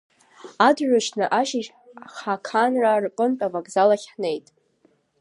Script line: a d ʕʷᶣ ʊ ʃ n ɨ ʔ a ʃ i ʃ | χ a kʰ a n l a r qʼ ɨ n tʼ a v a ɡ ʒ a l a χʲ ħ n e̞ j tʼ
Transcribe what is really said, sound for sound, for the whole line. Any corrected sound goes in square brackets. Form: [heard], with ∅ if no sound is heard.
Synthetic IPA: a d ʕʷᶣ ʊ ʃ n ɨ ʔ a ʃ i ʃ | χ a kʰ a n [r] a r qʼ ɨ n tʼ a v a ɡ [z] a l a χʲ ħ n e̞ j tʼ